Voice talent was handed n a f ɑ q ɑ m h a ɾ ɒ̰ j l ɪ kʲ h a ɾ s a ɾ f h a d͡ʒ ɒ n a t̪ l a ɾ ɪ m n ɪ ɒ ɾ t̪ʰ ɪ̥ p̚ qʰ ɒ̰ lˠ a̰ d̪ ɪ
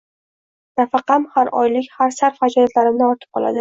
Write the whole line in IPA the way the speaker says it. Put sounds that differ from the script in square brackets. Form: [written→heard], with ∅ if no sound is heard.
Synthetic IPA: n a f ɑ q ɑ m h a ɾ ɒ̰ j l ɪ kʲ h a ɾ s a ɾ f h a d͡ʒ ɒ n a t̪ l a ɾ ɪ m n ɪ ɒ ɾ t̪ʰ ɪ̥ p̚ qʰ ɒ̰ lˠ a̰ d̪ ɪ